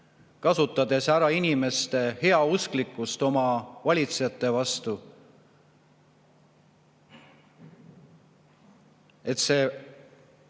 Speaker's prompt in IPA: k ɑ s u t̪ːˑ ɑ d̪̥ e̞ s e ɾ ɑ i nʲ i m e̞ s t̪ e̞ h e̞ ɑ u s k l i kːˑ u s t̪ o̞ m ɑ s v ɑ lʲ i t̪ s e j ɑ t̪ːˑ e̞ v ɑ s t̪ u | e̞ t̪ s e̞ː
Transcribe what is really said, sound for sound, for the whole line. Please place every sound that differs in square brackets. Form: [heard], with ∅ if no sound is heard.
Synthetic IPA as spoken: k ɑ s u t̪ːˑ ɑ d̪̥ e̞ s [æ] ɾ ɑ i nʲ i m e̞ s t̪ e̞ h e̞ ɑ u s k l i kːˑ u s t̪ o̞ m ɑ [∅] v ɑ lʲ i t̪ s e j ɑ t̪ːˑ e̞ v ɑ s t̪ u | e̞ t̪ s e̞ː